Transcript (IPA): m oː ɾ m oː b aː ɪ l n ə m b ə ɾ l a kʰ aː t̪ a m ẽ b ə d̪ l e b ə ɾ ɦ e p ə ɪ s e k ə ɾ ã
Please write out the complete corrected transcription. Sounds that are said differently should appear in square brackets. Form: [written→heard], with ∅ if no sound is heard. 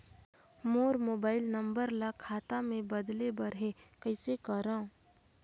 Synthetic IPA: m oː ɾ m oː b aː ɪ l n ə m b ə ɾ l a kʰ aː t̪ a m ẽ b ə d̪ l e b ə ɾ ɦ e [p→k] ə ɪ s e k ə ɾ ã